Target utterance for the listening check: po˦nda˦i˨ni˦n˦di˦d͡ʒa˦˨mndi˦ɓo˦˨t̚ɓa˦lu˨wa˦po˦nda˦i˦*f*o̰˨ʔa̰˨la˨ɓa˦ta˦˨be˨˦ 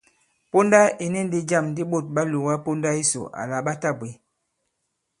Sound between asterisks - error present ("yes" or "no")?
yes